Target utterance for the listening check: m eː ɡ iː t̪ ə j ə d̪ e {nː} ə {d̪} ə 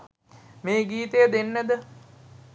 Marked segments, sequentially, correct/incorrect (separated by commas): correct, correct